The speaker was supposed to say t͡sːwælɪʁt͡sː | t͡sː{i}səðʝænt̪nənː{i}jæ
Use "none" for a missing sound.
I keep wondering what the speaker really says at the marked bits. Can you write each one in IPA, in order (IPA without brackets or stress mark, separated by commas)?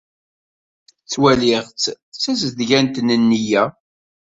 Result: æ, i